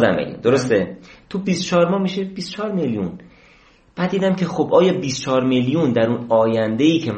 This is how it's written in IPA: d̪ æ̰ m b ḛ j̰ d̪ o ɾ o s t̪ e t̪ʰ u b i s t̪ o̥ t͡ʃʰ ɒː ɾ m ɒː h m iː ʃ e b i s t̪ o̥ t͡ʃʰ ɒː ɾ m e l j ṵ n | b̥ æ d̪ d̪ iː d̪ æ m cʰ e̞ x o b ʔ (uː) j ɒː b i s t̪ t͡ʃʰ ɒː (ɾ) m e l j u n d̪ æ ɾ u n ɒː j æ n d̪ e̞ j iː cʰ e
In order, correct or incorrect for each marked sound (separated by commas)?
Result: incorrect, correct